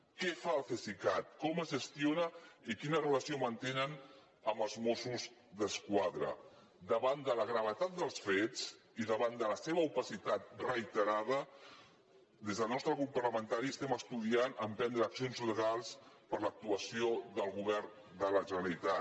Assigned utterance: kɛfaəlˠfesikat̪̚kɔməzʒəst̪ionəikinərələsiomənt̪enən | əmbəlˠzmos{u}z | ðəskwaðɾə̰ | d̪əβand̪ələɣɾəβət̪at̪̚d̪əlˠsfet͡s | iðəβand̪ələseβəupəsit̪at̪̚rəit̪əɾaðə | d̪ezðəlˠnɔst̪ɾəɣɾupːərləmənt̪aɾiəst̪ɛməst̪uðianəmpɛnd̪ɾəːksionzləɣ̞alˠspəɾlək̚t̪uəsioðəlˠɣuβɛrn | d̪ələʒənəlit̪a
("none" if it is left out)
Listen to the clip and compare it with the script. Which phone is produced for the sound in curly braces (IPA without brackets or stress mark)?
u